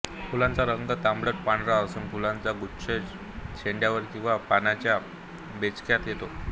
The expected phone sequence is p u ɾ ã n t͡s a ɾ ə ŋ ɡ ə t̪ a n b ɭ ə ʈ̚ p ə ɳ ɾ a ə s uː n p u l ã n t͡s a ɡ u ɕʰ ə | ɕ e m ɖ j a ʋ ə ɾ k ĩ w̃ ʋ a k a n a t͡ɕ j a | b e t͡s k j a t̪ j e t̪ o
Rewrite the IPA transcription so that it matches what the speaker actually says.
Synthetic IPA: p u l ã n t͡s a ɾ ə ŋ ɡ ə t̪ a m b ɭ ə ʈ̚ p a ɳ ɾ a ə s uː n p u l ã n t͡s a ɡ u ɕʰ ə | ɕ e ɳ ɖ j a ʋ ə ɾ k ĩ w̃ ʋ a p a n a t͡ɕ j a | b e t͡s k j a t̪ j e t̪ o